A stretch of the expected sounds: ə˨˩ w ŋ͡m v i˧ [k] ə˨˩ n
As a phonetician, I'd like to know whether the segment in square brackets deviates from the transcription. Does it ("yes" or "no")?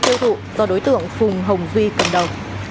no